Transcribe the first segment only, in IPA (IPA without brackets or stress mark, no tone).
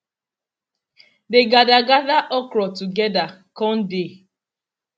d